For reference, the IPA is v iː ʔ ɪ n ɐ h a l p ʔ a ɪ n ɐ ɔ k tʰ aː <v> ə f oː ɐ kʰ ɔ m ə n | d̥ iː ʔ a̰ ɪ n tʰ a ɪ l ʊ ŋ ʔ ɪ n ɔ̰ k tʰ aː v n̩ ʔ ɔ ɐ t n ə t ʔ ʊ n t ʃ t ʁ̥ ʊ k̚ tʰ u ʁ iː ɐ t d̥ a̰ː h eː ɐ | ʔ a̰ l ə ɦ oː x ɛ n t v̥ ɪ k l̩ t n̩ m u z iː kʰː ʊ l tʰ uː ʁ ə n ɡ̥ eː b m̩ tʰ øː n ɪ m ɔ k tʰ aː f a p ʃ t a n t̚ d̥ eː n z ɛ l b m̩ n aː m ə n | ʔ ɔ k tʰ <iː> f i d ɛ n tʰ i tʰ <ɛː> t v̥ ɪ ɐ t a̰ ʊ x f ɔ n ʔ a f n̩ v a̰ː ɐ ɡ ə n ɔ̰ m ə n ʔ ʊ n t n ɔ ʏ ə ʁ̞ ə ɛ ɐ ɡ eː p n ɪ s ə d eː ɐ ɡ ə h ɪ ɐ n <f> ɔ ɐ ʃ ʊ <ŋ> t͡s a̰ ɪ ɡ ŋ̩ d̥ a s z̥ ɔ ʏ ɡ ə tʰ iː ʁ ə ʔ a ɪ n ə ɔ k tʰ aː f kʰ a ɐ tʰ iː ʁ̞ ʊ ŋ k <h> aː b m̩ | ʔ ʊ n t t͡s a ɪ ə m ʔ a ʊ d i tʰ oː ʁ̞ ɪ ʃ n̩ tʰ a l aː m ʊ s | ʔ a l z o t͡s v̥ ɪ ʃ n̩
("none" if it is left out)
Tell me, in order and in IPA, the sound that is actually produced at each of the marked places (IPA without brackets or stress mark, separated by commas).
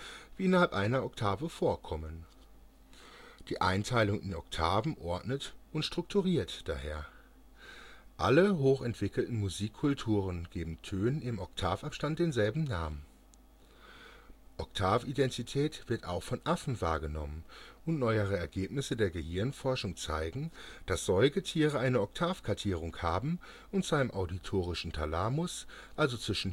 v, aː, ɛː, f, ŋ, h